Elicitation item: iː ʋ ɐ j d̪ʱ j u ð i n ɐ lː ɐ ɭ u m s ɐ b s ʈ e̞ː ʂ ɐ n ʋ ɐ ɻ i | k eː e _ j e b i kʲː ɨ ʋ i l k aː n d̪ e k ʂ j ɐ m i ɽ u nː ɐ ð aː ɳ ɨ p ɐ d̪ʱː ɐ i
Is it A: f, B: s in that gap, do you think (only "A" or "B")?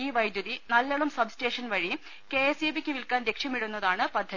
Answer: B